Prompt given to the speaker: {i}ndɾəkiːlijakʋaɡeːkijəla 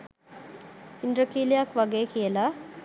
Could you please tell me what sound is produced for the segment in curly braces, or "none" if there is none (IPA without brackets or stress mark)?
i